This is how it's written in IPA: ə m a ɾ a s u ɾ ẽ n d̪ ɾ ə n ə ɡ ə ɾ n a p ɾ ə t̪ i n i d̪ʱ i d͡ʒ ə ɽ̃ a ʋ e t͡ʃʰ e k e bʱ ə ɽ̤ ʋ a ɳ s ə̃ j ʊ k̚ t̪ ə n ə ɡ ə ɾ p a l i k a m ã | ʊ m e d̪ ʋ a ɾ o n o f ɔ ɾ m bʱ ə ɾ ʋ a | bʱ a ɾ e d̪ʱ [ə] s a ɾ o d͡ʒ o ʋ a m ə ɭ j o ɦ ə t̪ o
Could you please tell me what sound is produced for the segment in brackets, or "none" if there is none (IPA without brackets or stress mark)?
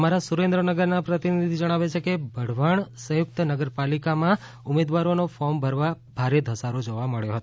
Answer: ə